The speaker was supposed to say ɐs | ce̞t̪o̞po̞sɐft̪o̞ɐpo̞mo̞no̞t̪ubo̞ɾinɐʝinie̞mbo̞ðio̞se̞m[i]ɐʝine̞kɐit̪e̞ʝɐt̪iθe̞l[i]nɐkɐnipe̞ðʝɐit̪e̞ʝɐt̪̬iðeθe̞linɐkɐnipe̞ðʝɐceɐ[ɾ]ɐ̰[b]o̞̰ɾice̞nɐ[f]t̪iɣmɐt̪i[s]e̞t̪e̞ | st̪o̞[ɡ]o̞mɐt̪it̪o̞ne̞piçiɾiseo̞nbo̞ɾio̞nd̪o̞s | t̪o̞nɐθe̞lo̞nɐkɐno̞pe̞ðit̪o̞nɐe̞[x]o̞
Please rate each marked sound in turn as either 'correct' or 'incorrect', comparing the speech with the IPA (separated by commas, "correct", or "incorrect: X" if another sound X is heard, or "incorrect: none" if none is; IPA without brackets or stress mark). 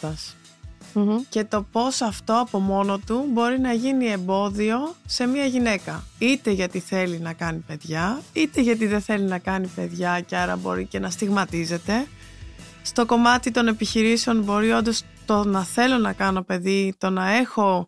correct, correct, correct, correct, incorrect: s, incorrect: z, incorrect: k, correct